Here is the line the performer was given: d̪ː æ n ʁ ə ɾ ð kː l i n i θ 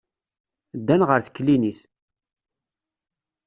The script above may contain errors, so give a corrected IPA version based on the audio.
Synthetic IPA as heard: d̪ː æ n ʁ ə ɾ θ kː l i n i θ

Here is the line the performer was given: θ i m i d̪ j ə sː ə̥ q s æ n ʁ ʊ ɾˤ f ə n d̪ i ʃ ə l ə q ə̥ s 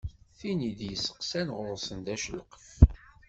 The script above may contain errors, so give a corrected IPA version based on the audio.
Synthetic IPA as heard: θ i n i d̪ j ə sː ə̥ q s æ n ʁ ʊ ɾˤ s ə n d̪ æ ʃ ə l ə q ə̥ f

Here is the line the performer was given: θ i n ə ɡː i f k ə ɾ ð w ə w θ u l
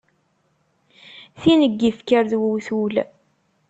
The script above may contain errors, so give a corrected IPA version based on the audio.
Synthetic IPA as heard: θ i n ə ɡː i f k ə ɾ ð w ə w θ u l

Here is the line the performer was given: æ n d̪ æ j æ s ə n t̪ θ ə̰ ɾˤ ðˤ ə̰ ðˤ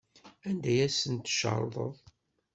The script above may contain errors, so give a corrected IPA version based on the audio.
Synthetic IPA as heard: æ n d̪ æ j æ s ə n t̪ ʃ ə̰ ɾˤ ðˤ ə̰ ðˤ

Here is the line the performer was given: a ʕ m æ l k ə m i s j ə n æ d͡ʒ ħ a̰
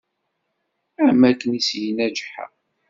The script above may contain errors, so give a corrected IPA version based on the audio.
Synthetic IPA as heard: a ʕ m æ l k ə n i s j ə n æ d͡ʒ ħ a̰

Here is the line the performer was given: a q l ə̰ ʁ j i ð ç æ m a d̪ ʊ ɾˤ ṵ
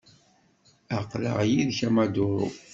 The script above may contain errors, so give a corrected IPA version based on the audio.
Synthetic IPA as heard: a q l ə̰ ʁ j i ð ç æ m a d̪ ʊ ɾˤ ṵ

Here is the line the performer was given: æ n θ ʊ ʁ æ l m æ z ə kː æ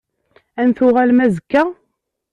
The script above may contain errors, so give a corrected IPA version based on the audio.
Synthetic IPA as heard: æ n θ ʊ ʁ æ l m æ z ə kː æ

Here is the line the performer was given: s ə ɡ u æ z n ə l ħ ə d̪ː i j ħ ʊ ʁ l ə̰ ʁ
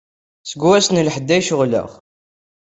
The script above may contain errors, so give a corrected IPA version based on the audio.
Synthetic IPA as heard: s ə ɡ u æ s n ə l ħ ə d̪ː æ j ʃ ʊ ʁ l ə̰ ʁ

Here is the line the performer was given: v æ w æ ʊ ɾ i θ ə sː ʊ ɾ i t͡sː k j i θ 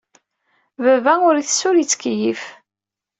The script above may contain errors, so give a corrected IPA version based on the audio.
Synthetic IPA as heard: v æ v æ ʊ ɾ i θ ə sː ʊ ɾ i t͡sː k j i f

